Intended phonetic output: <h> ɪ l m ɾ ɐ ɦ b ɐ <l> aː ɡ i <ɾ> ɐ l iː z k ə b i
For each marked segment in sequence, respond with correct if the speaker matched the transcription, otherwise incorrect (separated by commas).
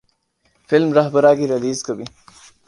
incorrect, incorrect, correct